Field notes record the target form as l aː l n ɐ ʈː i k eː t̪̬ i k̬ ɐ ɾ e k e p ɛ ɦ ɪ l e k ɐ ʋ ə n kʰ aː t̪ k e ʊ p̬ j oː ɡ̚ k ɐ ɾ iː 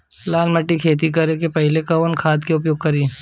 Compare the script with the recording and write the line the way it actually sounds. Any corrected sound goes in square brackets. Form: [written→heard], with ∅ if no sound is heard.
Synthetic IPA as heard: l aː l [n→m] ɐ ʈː i [k→kʰ] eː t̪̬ i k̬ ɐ ɾ e k e p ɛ ɦ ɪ l e k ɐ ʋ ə n kʰ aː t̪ k e ʊ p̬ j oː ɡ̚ k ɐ ɾ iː